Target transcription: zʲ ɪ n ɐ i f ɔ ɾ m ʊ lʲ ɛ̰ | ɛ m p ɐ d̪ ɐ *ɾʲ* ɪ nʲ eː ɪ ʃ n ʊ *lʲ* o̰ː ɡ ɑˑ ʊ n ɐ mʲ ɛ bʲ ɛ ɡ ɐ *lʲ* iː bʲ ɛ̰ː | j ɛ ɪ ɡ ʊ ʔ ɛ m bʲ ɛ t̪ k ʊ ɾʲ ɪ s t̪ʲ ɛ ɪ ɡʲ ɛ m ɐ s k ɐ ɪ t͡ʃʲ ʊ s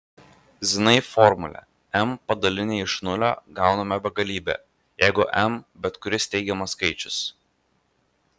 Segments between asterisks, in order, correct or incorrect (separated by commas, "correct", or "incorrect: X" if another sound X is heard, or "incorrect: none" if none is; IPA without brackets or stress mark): incorrect: lʲ, correct, correct